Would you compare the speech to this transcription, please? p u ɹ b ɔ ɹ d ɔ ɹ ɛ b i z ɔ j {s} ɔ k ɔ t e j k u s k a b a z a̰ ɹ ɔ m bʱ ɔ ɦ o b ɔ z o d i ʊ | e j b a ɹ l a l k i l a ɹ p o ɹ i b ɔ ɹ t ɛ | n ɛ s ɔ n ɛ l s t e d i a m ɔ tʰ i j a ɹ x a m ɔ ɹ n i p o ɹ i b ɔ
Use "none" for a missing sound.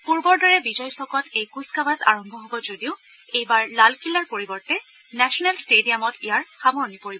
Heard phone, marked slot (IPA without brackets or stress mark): s